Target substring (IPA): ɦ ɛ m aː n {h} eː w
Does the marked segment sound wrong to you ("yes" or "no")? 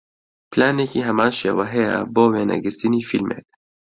yes